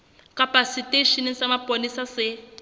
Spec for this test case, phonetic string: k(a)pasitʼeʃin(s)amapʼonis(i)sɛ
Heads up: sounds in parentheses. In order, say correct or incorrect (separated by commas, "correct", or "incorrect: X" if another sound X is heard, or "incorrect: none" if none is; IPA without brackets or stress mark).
correct, correct, incorrect: a